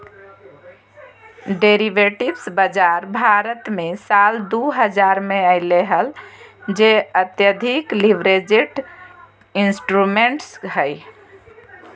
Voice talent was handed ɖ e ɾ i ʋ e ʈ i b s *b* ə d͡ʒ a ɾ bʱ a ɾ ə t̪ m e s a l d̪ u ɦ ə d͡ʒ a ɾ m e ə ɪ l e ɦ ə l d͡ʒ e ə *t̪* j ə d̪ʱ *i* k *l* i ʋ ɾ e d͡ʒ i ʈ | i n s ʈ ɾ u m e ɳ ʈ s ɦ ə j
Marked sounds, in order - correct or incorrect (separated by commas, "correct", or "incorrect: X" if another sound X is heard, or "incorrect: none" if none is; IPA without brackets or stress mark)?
correct, correct, correct, correct